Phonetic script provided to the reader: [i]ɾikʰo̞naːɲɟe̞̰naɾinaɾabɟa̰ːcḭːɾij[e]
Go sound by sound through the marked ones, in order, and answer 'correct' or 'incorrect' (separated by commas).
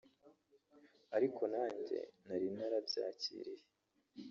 incorrect, correct